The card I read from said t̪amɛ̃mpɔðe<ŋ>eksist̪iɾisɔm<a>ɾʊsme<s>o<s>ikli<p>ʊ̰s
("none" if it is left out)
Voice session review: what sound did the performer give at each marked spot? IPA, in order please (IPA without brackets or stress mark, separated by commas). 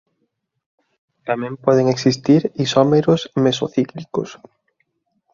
ŋ, e, s, θ, k